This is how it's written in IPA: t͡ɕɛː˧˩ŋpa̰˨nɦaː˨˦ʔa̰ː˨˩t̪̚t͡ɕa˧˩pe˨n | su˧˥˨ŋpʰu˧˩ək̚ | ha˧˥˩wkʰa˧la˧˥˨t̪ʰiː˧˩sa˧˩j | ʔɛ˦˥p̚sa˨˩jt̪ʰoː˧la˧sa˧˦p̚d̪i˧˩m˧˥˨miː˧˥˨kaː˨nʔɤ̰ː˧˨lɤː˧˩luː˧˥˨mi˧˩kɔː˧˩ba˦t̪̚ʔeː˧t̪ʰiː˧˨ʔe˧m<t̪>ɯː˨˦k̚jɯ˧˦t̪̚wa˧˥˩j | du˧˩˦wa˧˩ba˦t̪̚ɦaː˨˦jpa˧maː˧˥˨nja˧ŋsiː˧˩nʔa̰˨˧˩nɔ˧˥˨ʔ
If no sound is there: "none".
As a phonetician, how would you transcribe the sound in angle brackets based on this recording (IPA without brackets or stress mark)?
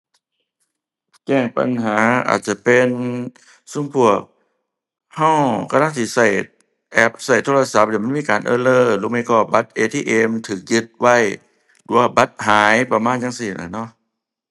t̪ʰ